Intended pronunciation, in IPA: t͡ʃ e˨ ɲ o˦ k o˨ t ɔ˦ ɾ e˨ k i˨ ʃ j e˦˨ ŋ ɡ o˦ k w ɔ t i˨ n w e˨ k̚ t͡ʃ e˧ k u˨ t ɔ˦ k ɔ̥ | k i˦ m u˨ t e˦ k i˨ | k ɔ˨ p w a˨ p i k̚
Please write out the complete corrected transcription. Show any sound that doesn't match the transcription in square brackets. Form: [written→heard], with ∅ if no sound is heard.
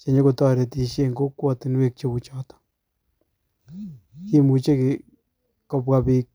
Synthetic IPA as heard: t͡ʃ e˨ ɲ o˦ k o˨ t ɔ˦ ɾ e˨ [k→t] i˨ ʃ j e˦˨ ŋ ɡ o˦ k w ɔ t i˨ n w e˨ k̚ t͡ʃ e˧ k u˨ [t→t͡ʃ] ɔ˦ [k→t] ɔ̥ | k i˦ m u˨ [t→t͡ʃ] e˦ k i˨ | k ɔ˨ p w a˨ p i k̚